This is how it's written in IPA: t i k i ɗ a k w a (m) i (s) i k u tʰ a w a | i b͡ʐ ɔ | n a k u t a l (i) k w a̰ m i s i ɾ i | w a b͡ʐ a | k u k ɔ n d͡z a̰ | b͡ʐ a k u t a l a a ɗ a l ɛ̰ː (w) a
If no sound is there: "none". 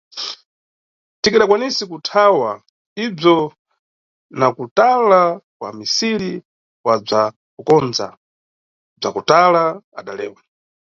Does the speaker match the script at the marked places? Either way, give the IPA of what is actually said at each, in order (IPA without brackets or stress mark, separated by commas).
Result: n, s, a, w